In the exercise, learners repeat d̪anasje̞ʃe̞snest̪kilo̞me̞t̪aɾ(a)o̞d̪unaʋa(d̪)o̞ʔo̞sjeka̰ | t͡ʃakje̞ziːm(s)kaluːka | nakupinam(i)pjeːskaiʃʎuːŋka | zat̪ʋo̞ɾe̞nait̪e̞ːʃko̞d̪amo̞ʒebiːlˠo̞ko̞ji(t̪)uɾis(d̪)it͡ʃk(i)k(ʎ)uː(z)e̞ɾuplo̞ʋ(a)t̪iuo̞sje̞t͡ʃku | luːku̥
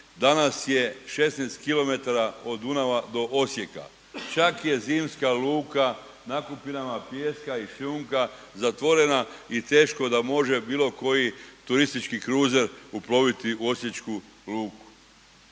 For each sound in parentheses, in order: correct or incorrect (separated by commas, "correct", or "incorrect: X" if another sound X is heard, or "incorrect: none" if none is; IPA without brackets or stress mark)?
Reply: correct, correct, correct, incorrect: a, correct, incorrect: t̪, correct, incorrect: ɾ, correct, incorrect: i